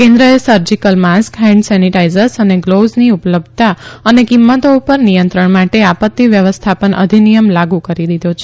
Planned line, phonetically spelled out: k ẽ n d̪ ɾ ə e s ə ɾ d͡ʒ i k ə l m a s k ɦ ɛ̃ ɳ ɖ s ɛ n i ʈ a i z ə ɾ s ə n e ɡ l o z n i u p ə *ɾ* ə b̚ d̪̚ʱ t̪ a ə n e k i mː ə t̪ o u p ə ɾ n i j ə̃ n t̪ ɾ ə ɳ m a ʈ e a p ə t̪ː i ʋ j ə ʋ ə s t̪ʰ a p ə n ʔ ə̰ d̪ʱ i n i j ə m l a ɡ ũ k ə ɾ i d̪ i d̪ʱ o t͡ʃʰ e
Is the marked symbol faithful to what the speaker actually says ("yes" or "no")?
no